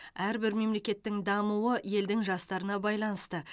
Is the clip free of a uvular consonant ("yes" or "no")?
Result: yes